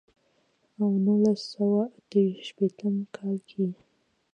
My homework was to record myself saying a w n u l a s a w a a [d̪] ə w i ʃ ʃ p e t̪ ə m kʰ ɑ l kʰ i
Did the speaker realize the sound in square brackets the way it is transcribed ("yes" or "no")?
no